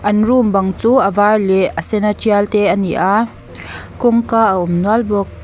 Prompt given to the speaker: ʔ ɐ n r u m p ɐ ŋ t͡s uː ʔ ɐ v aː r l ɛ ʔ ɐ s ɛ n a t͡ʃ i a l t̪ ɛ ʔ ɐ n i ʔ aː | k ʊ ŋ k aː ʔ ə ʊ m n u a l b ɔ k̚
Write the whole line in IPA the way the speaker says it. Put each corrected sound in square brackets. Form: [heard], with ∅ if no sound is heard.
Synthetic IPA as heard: ʔ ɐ n r u m [b] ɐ ŋ t͡s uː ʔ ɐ v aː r l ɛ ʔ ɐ s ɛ n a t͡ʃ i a l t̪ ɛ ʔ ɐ n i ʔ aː | k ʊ ŋ k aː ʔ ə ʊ m n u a l b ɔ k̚